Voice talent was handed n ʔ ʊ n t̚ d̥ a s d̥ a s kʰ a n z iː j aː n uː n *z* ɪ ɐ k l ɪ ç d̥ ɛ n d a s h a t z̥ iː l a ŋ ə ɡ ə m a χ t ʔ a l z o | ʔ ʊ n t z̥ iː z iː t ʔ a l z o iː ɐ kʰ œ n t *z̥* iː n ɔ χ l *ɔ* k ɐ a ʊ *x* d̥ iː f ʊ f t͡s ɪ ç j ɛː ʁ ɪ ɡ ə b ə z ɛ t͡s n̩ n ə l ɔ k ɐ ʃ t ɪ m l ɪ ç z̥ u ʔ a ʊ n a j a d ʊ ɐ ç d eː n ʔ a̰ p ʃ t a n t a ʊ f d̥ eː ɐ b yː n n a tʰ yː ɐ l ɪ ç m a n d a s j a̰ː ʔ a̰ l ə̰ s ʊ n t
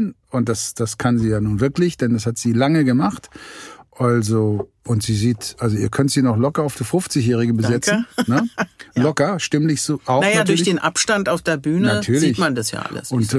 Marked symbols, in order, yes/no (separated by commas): no, yes, yes, no